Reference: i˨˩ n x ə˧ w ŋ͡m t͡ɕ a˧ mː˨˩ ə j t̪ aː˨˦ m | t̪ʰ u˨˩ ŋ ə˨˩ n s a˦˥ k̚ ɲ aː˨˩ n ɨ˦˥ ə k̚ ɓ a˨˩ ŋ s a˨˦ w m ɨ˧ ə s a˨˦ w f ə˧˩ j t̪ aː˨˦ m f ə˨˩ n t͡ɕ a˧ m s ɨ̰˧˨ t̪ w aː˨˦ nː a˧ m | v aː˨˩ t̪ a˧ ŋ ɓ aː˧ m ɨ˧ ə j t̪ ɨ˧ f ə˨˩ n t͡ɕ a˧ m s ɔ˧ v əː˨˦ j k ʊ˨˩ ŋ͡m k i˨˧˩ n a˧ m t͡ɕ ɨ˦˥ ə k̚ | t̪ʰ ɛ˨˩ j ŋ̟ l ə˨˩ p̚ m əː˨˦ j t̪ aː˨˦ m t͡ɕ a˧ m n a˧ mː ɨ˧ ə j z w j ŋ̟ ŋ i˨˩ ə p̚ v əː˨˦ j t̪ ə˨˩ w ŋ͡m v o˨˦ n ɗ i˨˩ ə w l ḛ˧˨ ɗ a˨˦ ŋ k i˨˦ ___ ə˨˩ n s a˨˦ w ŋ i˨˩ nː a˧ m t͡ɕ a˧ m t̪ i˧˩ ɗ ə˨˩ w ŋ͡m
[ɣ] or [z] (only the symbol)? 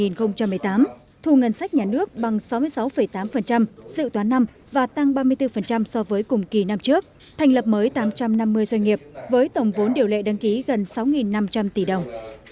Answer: ɣ